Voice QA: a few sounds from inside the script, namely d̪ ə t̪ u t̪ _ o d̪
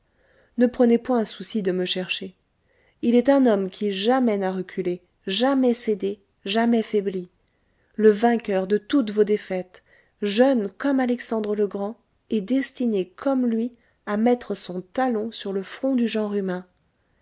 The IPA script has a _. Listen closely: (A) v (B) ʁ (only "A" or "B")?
A